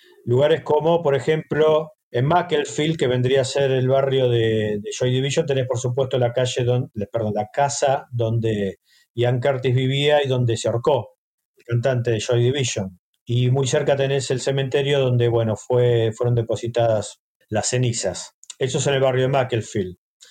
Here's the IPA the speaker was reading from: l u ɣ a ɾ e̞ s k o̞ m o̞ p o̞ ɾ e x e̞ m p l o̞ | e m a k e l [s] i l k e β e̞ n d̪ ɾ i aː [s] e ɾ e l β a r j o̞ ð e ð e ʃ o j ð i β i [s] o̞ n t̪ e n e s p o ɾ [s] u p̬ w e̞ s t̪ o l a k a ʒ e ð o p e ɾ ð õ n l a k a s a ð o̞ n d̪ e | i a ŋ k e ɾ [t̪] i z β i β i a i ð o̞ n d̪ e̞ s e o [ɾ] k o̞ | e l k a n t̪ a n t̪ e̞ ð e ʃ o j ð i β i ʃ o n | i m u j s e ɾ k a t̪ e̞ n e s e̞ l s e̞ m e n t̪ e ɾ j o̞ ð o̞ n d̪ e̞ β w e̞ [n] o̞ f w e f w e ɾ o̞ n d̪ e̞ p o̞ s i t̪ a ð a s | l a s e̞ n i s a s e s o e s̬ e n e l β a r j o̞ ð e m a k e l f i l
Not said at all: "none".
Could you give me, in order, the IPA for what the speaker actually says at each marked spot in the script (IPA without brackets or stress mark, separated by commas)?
f, s, ʃ, s, t̪, ɾ, n